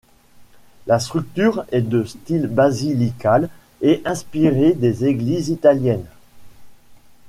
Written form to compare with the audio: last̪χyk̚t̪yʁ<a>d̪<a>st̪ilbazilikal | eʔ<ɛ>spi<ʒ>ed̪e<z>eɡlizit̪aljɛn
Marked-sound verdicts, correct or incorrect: incorrect, incorrect, incorrect, incorrect, correct

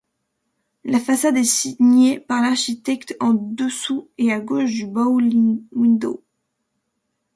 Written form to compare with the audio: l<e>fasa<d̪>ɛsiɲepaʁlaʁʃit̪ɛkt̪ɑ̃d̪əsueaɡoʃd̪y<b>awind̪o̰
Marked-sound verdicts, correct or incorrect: incorrect, correct, correct

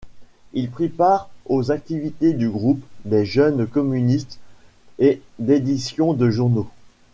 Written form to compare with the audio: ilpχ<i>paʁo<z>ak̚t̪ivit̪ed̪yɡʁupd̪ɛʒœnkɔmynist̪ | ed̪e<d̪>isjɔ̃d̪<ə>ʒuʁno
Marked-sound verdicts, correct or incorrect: correct, correct, correct, correct

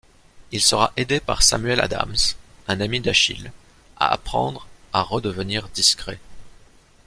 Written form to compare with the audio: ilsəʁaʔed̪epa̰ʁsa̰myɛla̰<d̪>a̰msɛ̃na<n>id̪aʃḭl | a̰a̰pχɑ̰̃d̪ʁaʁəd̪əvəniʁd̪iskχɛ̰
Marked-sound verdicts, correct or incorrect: correct, incorrect

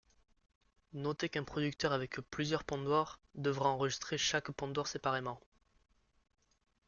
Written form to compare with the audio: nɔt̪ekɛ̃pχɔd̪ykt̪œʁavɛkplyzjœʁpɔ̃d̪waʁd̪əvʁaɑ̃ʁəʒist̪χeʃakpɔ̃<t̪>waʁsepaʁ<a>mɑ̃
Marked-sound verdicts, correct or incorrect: incorrect, incorrect

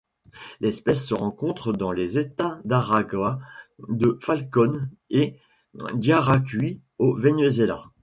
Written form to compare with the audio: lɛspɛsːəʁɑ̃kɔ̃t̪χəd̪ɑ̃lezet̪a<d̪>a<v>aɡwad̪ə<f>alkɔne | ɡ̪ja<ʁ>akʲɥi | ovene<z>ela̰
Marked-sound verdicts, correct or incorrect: correct, incorrect, correct, correct, correct

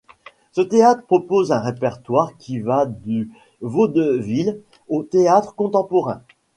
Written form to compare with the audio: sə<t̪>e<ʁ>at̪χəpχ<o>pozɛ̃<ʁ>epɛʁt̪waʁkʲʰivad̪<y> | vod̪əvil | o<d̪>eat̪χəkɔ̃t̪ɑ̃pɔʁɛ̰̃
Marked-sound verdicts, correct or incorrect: correct, incorrect, incorrect, correct, correct, incorrect

